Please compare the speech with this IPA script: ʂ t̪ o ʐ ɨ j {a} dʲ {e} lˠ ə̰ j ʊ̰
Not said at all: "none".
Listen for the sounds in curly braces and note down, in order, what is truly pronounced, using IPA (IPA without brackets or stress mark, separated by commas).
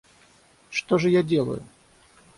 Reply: a, e